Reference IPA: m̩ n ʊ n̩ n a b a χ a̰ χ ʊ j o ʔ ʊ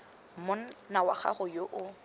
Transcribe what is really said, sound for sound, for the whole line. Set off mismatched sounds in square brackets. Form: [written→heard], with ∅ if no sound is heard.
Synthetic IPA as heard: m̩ [n→m] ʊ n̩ n a [b→w] a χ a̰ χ ʊ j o ʔ ʊ